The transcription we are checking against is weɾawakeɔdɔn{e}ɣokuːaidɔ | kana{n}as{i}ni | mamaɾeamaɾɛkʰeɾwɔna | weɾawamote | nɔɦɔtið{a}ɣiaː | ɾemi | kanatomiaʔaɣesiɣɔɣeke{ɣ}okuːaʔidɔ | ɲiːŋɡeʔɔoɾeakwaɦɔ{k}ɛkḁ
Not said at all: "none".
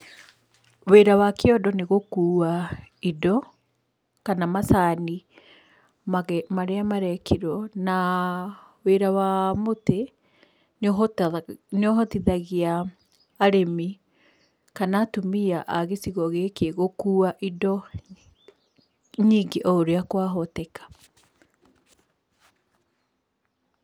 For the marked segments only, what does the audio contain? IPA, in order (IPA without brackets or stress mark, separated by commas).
e, m, a, a, ɣ, t